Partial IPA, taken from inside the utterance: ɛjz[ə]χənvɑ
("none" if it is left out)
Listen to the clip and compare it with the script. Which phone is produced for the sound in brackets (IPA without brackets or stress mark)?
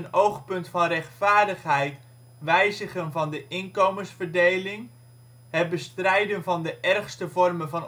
ə